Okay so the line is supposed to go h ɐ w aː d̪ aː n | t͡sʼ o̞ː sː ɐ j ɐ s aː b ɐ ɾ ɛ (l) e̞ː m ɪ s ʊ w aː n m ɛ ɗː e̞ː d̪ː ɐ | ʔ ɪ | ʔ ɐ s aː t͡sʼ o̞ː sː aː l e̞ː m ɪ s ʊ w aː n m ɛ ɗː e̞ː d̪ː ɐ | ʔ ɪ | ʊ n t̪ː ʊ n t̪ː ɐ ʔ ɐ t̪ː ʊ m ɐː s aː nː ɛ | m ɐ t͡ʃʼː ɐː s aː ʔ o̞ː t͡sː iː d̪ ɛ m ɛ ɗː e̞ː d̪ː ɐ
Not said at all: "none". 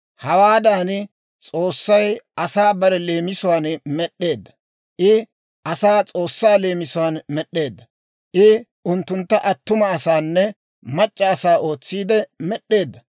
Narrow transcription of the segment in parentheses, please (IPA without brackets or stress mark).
l